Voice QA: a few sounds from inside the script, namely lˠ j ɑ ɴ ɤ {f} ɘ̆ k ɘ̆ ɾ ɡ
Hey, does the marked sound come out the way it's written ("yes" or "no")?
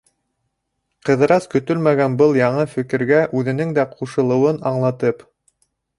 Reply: yes